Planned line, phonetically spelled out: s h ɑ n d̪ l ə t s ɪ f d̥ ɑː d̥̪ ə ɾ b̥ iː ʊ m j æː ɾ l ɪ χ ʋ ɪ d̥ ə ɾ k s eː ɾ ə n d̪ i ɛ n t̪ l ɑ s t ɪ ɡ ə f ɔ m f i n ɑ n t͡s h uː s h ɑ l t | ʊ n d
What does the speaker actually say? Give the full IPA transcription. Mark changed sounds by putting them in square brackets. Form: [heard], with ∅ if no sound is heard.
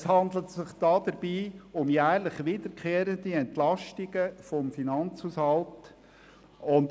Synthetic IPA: s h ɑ n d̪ l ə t s ɪ [χ] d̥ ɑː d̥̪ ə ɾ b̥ iː ʊ m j æː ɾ l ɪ χ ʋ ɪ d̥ ə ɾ k [χ] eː ɾ ə n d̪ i ɛ n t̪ l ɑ [ʃ] t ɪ ɡ ə f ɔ m f i n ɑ n t͡s h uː s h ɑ l t | ʊ n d